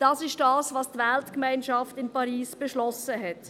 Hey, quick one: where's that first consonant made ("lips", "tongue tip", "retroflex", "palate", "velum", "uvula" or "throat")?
tongue tip